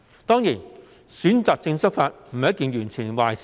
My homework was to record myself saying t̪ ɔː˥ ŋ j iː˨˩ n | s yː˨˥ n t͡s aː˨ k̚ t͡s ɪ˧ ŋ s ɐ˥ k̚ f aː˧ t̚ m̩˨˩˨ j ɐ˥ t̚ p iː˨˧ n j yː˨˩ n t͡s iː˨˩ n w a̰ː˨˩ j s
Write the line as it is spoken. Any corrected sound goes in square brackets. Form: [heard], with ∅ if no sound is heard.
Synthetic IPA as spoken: t̪ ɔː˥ ŋ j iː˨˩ n | s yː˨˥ n t͡s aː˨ k̚ t͡s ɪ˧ ŋ s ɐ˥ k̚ f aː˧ t̚ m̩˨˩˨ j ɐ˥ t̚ [k] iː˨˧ n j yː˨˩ n [t͡sʰ] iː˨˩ n w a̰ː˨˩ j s